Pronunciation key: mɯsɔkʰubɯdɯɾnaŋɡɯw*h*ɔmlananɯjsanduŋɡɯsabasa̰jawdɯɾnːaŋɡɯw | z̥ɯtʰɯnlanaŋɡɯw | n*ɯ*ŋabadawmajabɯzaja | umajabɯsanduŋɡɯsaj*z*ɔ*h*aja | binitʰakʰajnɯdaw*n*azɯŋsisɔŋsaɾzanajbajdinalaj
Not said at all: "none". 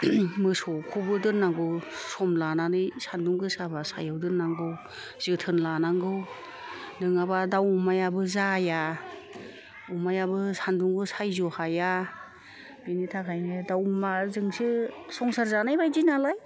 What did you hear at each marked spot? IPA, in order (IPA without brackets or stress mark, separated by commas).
s, ɯ, z, h, m